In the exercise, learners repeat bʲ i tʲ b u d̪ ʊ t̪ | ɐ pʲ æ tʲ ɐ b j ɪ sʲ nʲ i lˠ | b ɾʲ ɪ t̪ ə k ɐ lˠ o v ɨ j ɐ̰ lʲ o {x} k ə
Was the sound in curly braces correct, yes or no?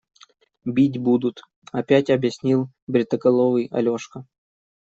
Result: no